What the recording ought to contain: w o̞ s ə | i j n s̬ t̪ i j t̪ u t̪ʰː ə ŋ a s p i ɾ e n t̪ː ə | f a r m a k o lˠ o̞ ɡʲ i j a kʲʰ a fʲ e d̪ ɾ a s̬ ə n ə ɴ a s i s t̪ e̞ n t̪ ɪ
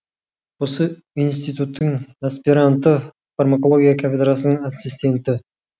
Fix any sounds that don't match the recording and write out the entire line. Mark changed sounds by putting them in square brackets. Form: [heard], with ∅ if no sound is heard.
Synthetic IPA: w o̞ s ə | i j n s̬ t̪ i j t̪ u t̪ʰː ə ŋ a s p i ɾ [a] n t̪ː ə | f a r m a k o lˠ o̞ ɡʲ i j a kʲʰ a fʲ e d̪ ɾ a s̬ ə n ə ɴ a s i s t̪ e̞ n t̪ ɪ